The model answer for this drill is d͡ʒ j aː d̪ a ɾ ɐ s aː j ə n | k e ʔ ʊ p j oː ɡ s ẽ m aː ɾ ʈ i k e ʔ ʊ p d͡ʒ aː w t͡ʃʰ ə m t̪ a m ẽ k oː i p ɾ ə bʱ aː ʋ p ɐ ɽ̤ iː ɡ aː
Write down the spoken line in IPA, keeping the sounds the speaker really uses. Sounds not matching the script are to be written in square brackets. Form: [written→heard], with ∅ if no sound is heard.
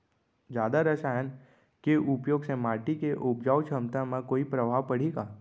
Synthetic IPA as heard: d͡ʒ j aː d̪ a ɾ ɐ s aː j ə n | k e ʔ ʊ p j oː ɡ s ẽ m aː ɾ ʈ i k e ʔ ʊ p d͡ʒ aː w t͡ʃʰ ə m t̪ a m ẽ k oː i p ɾ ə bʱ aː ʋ p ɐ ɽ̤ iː ɡ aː